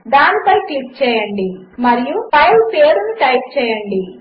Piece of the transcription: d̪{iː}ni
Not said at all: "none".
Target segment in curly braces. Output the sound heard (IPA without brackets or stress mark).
aː